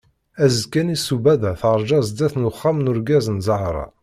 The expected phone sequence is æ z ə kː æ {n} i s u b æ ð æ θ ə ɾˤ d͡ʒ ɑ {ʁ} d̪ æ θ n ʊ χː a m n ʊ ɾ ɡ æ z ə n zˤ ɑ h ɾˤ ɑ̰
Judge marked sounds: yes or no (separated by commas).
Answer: yes, no